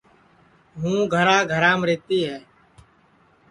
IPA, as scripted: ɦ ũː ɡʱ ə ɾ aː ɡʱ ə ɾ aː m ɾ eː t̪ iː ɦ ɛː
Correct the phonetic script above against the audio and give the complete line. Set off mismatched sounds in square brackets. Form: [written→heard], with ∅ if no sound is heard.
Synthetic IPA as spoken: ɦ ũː ɡʱ ə ɾ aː ɡʱ ə ɾ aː m ɾ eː t̪ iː ɦ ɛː